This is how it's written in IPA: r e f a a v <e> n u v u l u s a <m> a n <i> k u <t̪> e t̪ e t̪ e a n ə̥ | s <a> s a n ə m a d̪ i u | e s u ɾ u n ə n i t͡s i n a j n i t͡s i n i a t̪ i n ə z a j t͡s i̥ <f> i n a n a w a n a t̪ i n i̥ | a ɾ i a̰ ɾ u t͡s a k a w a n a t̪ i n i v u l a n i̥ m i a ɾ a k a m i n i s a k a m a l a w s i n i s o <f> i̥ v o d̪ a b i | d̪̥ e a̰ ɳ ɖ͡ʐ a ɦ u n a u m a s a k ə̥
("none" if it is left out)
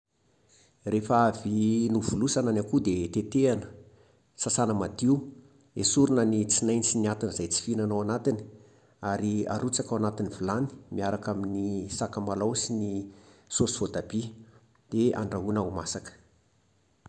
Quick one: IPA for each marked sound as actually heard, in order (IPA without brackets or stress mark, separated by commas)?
i, n, a, d̪, a, f, s